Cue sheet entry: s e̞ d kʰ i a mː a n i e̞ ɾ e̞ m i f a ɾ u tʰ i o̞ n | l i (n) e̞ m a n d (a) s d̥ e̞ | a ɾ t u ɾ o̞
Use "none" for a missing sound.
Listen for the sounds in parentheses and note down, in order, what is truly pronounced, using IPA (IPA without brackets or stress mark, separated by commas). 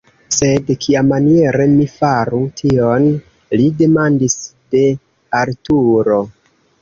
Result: d, i